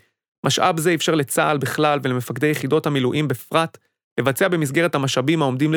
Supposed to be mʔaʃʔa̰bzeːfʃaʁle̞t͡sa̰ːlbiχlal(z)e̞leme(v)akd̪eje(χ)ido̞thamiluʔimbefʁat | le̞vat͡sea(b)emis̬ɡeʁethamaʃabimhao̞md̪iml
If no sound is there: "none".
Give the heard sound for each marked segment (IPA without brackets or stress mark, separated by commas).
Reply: v, f, χ, b